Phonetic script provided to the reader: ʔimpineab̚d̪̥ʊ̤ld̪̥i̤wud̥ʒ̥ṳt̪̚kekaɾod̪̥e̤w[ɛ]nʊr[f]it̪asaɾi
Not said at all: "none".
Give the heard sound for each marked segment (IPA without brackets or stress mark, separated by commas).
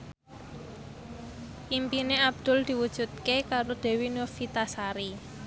i, f